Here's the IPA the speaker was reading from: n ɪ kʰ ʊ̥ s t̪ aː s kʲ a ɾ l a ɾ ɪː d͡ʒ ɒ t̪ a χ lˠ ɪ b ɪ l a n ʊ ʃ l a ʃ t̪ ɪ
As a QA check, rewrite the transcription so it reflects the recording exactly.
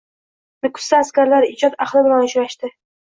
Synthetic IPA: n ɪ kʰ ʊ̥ s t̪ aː s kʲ a ɾ l a ɾ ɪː d͡ʒ ɒ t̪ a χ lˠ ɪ b ɪ l a n ʊ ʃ ɾ a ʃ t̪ ɪ